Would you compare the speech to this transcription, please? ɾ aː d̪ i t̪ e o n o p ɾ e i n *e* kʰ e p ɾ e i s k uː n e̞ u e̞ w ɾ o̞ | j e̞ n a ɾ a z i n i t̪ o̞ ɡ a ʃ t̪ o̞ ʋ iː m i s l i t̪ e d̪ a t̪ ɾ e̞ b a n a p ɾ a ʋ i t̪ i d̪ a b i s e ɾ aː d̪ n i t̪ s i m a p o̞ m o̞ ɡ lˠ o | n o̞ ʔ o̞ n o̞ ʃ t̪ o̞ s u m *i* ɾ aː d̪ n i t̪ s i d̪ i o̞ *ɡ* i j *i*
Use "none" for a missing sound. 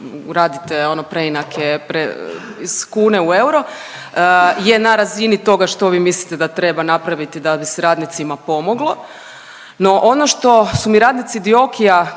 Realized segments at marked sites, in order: a, i, k, a

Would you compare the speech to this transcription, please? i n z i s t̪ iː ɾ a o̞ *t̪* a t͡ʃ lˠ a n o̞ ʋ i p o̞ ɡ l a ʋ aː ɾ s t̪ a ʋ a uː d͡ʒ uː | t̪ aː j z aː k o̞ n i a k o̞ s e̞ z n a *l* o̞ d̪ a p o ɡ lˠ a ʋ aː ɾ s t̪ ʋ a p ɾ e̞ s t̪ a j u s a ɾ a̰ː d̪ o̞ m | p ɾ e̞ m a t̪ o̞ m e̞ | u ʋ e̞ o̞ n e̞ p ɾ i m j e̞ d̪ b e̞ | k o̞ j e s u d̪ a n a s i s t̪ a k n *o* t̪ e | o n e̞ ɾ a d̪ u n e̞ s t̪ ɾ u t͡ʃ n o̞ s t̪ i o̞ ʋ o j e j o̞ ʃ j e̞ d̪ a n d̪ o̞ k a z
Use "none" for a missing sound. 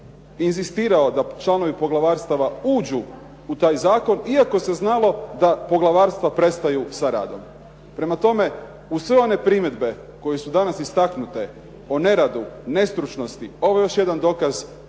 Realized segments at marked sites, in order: d̪, l, u

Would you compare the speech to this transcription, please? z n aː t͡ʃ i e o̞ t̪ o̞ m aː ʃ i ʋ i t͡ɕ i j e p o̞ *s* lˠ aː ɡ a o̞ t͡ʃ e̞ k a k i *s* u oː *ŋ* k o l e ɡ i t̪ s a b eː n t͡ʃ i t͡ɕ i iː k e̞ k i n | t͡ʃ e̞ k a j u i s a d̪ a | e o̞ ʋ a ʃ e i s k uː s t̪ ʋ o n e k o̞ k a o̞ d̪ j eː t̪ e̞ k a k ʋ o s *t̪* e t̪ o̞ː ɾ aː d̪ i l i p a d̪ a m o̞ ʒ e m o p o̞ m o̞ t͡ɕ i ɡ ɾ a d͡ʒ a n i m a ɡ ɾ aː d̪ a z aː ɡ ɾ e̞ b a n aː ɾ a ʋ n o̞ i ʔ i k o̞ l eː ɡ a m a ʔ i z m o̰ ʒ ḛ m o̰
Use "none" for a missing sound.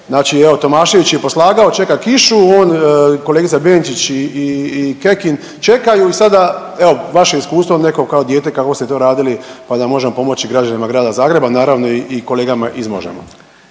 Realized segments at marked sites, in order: s, ʃ, n, t̪

